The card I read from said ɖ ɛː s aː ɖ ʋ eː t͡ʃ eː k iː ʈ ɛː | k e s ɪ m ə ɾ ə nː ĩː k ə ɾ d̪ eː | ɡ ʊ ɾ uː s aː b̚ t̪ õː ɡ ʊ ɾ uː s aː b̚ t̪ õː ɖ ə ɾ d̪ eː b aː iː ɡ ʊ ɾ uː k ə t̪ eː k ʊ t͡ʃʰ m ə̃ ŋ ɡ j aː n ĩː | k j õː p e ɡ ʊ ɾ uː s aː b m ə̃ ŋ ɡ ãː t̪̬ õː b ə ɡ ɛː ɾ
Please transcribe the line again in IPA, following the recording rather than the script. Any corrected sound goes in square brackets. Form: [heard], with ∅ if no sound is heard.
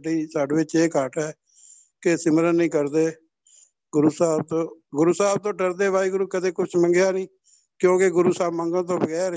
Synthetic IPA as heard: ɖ [iː] s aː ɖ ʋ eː t͡ʃ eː k [aː] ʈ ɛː | k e s ɪ m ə ɾ ə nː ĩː k ə ɾ d̪ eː | ɡ ʊ ɾ uː s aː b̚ t̪ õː ɡ ʊ ɾ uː s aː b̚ t̪ õː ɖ ə ɾ d̪ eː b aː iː ɡ ʊ ɾ uː k ə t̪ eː k ʊ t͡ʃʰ m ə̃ ŋ ɡ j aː n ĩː | k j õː [k] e ɡ ʊ ɾ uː s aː b m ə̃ ŋ ɡ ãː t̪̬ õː b ə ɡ ɛː ɾ